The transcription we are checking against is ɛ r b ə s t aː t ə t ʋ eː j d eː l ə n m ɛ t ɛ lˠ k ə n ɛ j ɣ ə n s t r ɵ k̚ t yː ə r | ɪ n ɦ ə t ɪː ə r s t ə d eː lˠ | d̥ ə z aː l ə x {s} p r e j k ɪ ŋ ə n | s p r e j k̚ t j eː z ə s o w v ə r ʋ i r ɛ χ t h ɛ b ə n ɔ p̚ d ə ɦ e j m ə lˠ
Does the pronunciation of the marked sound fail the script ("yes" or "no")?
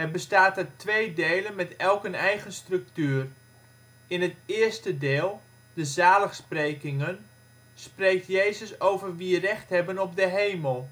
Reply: no